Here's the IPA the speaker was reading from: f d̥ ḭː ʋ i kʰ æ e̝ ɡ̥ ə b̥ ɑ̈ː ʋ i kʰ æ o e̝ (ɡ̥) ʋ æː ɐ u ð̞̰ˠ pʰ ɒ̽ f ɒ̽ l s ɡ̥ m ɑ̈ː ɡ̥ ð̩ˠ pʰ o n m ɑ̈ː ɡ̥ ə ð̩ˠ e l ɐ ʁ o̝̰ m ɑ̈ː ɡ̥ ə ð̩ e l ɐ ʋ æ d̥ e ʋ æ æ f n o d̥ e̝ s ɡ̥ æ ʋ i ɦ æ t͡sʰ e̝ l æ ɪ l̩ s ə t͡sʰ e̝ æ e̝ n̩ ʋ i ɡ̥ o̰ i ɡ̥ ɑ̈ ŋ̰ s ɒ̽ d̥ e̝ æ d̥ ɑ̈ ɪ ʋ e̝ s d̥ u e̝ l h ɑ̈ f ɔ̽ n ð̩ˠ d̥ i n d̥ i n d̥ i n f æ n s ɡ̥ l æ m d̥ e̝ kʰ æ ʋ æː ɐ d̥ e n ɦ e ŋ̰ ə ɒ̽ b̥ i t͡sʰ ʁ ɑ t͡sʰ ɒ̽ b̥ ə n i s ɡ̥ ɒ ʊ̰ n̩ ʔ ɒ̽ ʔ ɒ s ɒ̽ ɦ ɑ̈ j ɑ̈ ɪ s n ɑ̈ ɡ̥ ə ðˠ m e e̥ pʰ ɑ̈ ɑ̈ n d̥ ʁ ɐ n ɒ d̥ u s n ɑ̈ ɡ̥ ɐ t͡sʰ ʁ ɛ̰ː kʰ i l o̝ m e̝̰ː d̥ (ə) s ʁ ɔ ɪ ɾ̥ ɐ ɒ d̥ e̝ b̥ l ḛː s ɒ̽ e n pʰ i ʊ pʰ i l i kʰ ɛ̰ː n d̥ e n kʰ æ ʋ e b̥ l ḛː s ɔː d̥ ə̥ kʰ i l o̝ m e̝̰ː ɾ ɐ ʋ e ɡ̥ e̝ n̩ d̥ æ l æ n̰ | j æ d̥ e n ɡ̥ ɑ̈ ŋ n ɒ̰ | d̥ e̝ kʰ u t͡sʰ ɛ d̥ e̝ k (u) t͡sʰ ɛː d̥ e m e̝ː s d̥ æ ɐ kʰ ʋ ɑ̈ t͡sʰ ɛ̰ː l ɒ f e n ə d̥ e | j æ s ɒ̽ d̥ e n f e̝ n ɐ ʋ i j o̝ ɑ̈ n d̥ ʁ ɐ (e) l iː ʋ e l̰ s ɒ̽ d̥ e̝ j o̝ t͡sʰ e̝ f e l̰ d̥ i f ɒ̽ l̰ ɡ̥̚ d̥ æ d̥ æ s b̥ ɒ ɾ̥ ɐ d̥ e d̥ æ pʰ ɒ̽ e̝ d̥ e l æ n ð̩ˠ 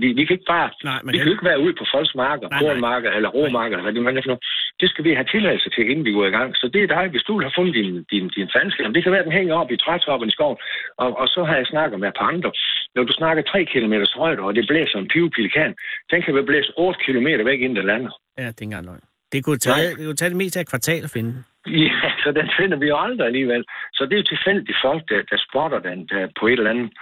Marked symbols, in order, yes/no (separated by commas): yes, no, yes, no